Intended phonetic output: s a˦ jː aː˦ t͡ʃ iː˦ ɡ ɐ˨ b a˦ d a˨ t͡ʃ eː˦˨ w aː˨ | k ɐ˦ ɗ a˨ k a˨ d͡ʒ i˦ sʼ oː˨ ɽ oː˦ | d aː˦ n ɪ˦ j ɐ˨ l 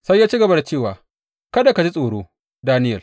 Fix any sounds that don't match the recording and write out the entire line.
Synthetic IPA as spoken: s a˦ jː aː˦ t͡ʃ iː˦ ɡ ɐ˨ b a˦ d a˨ t͡ʃ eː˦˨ w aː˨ | k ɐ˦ d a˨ k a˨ d͡ʒ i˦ sʼ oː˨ ɽ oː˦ | d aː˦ n ɪ˦ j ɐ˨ l